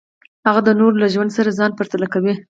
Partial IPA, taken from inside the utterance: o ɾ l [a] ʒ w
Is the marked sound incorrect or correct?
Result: correct